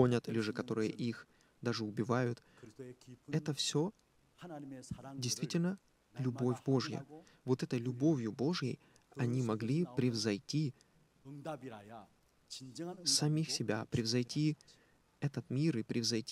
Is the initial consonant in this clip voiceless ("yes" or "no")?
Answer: no